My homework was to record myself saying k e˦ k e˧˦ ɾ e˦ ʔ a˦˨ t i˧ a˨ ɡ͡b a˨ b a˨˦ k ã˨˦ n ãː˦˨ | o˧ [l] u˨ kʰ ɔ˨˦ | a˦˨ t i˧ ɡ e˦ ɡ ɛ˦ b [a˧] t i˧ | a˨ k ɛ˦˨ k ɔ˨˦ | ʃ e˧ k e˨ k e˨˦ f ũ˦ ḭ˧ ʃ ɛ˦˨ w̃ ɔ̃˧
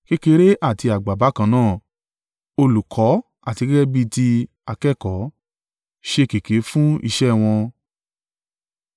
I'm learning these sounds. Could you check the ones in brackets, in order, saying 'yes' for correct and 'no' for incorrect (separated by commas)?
yes, no